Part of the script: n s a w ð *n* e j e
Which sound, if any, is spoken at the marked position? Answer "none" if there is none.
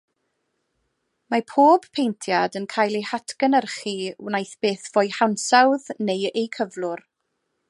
n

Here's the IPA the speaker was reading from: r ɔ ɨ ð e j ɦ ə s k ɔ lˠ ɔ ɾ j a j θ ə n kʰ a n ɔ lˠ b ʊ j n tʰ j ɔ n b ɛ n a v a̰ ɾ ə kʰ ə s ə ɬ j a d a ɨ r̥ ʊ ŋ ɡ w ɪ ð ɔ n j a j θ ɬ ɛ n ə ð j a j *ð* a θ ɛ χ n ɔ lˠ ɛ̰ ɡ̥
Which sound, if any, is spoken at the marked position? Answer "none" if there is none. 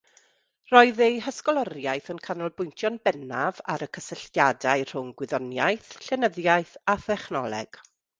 θ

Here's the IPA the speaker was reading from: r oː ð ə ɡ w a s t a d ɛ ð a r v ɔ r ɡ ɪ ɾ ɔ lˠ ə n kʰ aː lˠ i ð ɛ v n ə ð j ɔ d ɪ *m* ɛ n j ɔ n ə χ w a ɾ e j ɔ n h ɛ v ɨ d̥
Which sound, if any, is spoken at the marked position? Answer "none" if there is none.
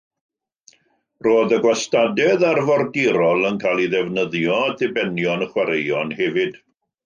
b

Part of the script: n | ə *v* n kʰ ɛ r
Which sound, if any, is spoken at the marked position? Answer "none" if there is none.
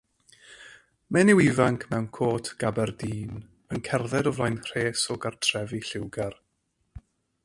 none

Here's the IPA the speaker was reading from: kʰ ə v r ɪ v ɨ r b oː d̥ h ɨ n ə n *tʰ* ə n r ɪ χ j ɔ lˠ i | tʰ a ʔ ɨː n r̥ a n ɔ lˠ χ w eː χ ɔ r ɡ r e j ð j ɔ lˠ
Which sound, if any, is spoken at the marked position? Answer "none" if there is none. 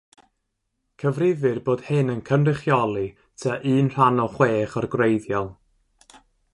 kʰ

